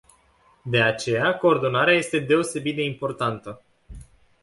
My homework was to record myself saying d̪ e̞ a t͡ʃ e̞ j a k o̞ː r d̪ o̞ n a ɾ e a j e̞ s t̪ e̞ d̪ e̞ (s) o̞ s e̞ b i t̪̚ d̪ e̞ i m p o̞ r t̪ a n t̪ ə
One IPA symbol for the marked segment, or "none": none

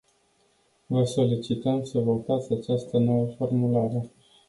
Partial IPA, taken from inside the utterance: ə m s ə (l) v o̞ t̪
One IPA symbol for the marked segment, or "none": none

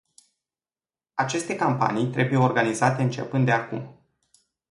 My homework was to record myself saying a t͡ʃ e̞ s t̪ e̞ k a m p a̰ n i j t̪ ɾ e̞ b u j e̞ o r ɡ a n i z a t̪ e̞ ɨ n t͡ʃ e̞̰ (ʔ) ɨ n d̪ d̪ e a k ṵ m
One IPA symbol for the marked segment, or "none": p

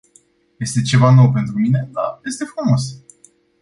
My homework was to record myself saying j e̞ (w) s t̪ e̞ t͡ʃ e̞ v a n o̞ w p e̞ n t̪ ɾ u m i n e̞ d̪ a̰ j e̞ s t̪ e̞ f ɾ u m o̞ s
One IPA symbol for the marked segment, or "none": none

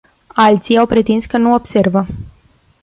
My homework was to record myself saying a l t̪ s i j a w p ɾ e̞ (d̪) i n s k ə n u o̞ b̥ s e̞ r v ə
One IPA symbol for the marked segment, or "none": t̪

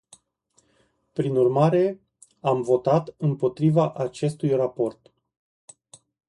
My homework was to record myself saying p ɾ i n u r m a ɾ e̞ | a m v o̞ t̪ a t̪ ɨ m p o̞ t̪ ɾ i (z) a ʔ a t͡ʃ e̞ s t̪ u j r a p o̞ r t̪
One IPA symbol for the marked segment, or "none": v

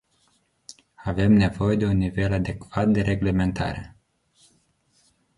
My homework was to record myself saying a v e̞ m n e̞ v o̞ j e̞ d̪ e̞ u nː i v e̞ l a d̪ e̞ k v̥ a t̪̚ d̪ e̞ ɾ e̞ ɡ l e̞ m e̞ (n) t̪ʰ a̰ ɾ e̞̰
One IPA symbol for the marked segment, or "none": n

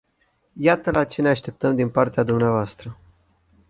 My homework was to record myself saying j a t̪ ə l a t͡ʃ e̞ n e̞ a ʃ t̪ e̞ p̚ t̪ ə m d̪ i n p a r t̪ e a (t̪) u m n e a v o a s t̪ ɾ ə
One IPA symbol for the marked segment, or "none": d̪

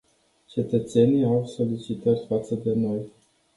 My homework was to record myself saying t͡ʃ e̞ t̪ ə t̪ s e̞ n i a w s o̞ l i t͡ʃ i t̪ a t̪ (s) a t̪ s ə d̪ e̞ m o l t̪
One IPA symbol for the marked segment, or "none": f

